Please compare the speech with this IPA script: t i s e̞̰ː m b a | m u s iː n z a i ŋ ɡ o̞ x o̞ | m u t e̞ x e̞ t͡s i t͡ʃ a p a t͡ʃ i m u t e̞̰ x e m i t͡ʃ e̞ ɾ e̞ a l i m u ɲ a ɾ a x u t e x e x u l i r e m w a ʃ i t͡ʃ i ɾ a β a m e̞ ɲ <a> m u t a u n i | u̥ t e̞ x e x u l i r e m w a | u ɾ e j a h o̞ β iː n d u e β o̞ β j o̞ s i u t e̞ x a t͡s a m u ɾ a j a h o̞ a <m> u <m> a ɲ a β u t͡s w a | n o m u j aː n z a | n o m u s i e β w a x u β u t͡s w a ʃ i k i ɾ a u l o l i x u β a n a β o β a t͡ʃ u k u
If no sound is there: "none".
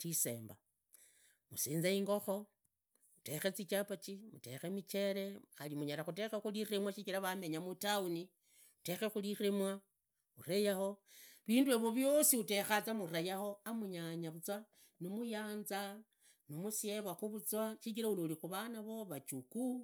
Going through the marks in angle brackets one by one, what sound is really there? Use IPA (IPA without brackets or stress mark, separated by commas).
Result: a, m, ɲ